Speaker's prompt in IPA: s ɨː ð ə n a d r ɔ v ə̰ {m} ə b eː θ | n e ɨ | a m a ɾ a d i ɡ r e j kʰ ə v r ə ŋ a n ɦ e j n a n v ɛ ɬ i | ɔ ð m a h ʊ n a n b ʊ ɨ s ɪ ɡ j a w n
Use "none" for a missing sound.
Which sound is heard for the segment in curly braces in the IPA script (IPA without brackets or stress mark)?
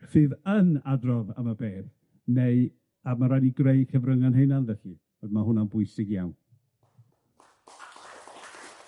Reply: m